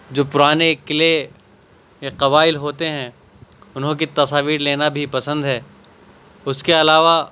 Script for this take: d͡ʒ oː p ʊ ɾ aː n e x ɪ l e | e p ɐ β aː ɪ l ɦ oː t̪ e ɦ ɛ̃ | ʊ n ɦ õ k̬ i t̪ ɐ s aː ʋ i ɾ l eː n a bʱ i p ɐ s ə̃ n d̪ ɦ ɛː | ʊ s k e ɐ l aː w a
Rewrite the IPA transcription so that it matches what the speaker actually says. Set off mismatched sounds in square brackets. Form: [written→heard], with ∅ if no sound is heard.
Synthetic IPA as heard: d͡ʒ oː p ʊ ɾ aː n e [x→k] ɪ l e | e [p→q] ɐ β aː ɪ l ɦ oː t̪ e ɦ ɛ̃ | ʊ n ɦ õ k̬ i t̪ ɐ s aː ʋ [i→iː] ɾ l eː n a bʱ i p ɐ s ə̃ n d̪ ɦ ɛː | ʊ s k e ɐ l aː [w→ʋ] a